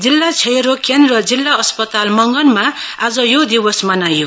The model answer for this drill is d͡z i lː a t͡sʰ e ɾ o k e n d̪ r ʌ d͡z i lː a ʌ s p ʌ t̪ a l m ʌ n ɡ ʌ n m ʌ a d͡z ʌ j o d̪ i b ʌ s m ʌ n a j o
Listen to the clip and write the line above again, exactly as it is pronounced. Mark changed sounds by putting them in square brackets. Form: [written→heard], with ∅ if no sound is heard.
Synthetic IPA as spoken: d͡z i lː a t͡sʰ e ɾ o k e n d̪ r ʌ d͡z i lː a ʌ s p ʌ t̪ a l m ʌ [n→ŋ] ɡ ʌ n m [ʌ→a] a d͡z ʌ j o d̪ i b ʌ s m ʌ n a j o